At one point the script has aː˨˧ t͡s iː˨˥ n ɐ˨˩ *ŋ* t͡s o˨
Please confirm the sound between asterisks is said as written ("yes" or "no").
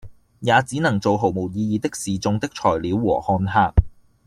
yes